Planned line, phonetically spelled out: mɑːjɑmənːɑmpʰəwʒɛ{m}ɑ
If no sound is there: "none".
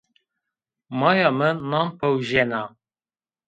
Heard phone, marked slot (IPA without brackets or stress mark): n